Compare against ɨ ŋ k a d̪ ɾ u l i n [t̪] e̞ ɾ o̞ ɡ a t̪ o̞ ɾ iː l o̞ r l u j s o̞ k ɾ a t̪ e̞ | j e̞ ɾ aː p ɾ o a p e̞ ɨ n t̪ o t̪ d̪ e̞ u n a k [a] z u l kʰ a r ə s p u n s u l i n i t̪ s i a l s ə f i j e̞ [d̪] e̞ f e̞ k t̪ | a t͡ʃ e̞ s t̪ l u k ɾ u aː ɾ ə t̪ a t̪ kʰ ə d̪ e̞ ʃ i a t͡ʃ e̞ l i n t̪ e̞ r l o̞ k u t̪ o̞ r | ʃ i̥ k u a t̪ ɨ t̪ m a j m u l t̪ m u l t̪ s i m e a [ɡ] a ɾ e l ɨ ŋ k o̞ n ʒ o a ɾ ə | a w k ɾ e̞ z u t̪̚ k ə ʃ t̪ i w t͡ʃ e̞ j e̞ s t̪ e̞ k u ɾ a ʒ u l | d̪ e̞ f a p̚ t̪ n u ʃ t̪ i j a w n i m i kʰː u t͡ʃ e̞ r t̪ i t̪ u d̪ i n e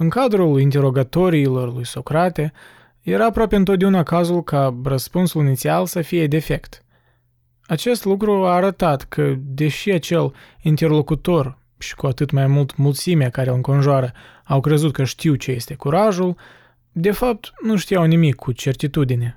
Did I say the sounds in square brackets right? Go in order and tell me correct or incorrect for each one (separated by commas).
correct, correct, correct, incorrect